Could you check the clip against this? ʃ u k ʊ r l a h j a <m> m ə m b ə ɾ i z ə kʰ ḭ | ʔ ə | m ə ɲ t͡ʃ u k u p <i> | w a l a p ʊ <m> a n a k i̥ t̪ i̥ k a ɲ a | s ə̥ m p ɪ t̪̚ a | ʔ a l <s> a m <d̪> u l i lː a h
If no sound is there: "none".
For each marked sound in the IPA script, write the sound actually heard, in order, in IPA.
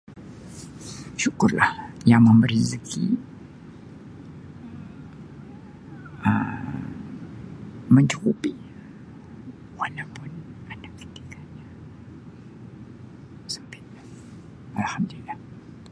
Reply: ŋ, i, n, h, d̪

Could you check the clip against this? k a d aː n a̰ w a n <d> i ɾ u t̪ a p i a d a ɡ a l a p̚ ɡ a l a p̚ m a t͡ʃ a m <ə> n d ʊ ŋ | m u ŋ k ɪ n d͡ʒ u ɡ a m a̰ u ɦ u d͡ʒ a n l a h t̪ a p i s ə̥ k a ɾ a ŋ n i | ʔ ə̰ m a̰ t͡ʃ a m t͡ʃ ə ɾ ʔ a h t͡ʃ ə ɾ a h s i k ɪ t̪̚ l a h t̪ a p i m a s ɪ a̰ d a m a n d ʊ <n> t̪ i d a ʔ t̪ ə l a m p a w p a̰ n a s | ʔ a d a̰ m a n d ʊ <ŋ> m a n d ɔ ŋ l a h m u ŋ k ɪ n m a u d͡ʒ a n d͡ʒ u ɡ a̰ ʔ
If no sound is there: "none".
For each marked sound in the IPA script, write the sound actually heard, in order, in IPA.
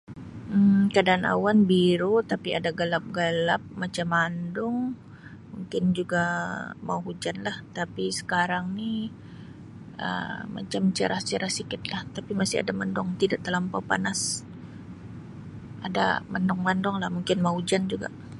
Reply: b, a, ŋ, ŋ

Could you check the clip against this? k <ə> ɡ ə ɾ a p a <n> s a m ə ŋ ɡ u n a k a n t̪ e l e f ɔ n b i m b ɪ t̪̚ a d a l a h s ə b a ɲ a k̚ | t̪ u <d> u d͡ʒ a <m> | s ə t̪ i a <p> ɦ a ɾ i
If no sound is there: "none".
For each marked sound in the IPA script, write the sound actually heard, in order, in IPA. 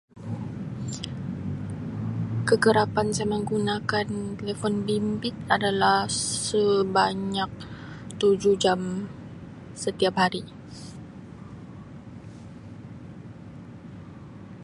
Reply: ə, n, d͡ʒ, m, p

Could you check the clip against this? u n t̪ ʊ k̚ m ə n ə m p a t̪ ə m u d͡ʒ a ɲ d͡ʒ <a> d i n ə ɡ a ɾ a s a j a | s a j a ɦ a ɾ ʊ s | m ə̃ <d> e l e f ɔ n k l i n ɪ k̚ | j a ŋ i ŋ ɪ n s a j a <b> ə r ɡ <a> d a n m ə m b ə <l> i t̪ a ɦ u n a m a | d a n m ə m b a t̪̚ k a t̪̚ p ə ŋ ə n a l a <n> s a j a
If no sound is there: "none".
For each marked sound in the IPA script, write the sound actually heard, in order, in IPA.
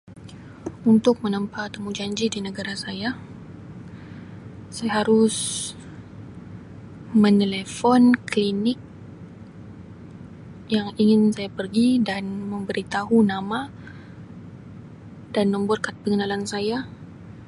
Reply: i, n, p, i, ɾ, n

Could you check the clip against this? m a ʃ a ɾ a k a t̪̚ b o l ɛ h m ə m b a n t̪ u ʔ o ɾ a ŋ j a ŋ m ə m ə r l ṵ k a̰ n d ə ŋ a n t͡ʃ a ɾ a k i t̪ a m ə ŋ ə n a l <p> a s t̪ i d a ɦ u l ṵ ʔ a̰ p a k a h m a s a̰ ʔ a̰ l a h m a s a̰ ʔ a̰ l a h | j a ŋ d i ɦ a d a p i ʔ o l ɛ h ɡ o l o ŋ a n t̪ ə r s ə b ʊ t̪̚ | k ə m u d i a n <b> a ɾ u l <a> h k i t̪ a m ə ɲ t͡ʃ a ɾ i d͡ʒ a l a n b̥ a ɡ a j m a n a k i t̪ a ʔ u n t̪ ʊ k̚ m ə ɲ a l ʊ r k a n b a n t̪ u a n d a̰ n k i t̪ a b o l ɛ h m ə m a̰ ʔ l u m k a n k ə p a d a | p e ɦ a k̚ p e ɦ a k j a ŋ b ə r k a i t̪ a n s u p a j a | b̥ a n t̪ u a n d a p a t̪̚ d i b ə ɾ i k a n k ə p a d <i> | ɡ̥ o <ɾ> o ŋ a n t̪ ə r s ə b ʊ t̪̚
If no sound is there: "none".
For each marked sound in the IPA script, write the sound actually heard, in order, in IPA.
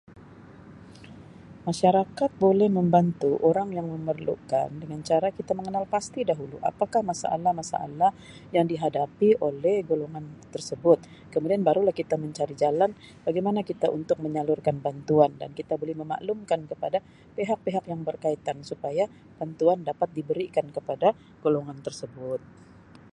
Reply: p, b, a, a, l

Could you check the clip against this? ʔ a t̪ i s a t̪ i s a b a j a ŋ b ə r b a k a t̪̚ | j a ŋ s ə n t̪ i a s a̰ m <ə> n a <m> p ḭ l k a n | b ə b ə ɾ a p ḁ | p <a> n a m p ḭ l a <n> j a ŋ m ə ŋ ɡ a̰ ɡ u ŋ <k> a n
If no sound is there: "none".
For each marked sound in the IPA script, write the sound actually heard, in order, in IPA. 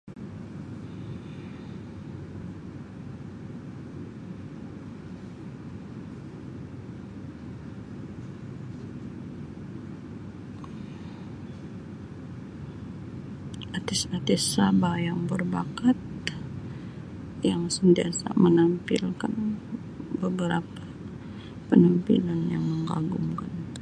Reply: ə, m, ə, n, k

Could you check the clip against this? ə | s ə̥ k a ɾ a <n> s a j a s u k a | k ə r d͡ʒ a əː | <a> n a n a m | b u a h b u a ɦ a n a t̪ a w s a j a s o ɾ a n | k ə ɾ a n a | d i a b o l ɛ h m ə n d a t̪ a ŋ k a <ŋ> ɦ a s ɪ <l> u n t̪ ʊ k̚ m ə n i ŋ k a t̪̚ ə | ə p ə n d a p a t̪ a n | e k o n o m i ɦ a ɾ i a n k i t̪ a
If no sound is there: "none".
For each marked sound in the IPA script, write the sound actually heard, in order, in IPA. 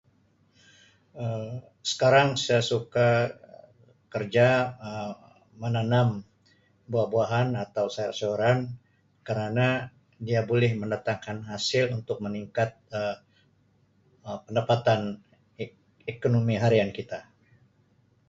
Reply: ŋ, ə, n, l

